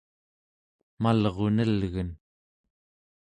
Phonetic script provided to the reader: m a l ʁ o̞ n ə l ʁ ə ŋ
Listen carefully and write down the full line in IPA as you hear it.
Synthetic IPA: m a l ʁ o̞ n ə l ɣ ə n